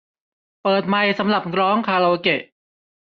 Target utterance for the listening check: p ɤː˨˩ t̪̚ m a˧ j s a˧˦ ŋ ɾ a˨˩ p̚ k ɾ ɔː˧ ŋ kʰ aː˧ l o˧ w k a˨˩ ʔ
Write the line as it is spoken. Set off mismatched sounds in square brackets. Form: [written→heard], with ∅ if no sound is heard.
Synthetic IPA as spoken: p ɤː˨˩ t̪̚ m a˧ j s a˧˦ [ŋ→m] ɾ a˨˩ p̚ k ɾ [ɔː˧→ɔː˦˥] ŋ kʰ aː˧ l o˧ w k [a˨˩→e˨˩] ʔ